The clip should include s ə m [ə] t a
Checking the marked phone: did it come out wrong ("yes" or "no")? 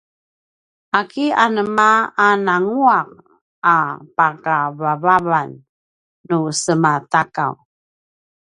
yes